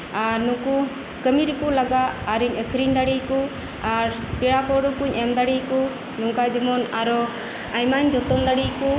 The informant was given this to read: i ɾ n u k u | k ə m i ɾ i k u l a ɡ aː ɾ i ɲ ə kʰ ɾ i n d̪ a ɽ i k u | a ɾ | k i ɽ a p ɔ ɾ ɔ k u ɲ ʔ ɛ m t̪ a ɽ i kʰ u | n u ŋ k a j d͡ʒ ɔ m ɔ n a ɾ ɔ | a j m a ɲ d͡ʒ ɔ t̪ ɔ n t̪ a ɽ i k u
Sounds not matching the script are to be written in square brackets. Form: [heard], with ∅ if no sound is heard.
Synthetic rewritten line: [a] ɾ n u k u | k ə m i ɾ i k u l a ɡ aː ɾ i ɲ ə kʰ ɾ i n d̪ a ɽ i k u | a ɾ | [p] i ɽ a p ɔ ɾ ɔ k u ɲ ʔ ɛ m [d̪] a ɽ i [k] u | n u ŋ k a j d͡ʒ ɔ m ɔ n a ɾ ɔ | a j m a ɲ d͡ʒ ɔ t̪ ɔ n [d̪] a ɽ i k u